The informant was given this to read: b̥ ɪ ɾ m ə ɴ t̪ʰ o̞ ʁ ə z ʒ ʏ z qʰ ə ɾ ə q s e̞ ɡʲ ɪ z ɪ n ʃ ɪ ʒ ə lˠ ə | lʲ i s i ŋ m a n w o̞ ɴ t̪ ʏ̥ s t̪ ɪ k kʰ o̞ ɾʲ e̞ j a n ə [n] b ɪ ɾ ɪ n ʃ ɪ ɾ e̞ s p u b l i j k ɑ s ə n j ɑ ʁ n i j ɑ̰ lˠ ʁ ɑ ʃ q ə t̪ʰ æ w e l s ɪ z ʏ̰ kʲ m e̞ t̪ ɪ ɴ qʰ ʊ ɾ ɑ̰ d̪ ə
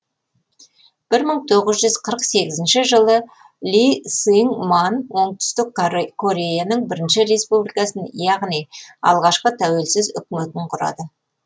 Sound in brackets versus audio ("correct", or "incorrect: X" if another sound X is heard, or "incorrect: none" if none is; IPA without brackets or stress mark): incorrect: ɴ